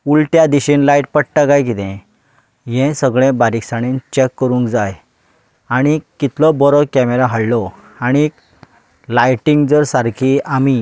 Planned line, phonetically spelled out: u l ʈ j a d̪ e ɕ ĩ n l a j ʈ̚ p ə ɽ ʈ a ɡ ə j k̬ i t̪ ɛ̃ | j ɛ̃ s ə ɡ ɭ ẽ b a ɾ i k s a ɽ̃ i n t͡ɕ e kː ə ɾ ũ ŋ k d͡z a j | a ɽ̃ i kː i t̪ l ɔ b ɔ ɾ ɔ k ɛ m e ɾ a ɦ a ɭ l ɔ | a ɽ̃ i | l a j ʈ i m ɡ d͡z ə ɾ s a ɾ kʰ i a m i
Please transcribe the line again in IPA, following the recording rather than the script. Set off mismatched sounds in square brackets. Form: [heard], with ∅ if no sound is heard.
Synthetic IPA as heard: u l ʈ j a d̪ [i] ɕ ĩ n l a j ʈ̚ p ə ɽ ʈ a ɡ [a] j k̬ i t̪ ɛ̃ | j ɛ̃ s ə ɡ ɭ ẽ b a ɾ i k s a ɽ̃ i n t͡ɕ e kː ə ɾ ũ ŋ k d͡z a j | a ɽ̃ i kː i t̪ l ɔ b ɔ ɾ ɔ k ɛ m e ɾ a ɦ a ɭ l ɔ | a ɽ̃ i | l a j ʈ i [ŋ] ɡ d͡z ə ɾ s a ɾ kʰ i a m i